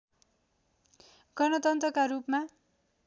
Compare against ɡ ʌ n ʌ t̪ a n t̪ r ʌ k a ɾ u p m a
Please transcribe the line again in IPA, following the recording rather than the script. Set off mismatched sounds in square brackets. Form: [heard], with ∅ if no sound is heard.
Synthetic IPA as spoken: ɡ ʌ n ʌ t̪ [ʌ] n t̪ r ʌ k a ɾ u p m a